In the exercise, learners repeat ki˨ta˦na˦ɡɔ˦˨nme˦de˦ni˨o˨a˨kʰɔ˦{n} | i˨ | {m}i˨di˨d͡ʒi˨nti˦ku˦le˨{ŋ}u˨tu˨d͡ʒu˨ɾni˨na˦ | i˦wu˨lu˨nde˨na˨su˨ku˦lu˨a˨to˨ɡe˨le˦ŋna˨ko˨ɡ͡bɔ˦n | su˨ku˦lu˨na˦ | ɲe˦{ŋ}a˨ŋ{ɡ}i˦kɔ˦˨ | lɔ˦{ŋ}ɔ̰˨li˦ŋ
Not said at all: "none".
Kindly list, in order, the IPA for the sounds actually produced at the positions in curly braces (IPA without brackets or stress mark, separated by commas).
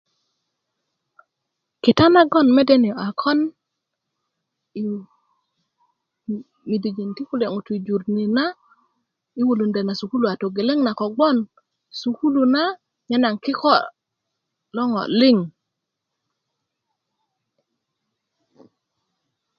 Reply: n, m, ŋ, n, k, ŋ